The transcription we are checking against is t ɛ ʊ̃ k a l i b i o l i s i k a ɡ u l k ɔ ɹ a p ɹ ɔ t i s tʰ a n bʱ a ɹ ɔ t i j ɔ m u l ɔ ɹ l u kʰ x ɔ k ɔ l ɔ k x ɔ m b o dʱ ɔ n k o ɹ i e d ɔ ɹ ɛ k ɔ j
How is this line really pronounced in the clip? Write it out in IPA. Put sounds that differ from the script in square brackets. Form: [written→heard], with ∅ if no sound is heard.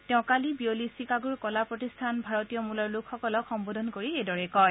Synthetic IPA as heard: t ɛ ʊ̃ k a l i b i o l i s i k a ɡ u [l→ɹ] k ɔ [ɹ→l] a p ɹ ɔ t i s tʰ a n bʱ a ɹ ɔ t i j ɔ m u l ɔ ɹ l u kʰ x ɔ k ɔ l ɔ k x ɔ m b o dʱ ɔ n k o ɹ i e d ɔ ɹ ɛ k ɔ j